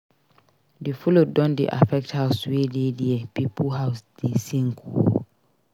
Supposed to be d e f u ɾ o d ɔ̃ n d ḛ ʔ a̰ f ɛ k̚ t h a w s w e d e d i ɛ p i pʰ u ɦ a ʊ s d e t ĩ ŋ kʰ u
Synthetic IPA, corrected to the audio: d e f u l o d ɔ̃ n d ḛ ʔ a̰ f ɛ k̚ t h a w s w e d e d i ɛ p i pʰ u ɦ a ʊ s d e s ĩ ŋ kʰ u